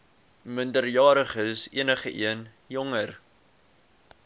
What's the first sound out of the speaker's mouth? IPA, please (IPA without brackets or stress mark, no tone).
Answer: m